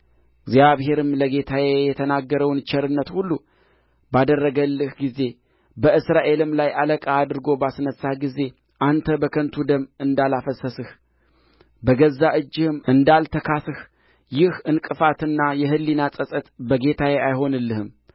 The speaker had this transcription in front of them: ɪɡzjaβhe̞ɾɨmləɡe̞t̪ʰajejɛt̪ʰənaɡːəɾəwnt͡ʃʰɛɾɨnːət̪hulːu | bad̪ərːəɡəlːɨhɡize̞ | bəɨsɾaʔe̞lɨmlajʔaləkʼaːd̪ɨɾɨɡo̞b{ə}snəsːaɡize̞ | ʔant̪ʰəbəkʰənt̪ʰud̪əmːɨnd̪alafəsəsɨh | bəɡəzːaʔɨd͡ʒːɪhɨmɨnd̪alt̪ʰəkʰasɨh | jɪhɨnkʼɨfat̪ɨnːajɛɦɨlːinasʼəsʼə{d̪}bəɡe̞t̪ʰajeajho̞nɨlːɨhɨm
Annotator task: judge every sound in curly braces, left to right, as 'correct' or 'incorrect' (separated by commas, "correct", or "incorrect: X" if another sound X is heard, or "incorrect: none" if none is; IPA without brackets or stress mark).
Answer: incorrect: a, incorrect: t̪